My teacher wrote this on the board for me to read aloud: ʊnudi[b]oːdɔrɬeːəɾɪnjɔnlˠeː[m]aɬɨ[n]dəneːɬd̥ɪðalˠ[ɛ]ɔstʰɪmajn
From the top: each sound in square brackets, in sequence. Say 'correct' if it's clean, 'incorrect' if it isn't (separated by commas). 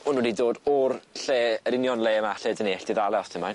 incorrect, correct, incorrect, correct